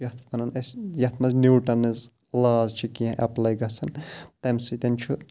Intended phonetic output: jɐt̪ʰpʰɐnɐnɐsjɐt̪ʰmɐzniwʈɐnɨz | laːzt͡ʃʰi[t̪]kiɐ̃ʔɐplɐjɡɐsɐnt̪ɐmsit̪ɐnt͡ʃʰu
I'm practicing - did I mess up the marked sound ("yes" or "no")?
yes